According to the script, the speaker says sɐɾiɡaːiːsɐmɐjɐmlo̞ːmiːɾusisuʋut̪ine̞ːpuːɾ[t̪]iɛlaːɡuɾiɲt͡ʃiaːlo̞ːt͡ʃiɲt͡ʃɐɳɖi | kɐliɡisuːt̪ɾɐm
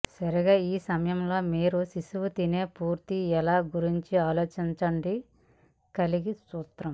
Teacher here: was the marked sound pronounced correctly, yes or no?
yes